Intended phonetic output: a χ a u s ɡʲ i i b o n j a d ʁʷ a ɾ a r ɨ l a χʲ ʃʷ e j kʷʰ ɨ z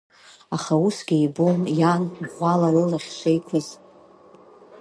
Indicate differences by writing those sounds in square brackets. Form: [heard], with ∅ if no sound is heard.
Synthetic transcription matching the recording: a χ a u s ɡʲ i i b o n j a [n] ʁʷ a [l] a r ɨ l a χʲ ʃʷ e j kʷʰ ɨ z